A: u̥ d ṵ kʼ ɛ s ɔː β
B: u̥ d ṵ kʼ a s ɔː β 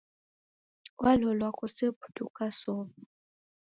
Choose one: B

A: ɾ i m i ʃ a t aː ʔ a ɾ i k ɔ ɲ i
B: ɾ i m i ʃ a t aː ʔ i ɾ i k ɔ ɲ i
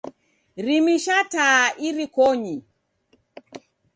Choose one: B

